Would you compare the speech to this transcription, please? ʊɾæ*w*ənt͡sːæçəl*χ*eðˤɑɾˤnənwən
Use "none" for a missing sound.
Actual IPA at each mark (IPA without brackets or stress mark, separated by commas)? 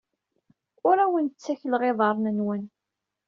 w, ʁ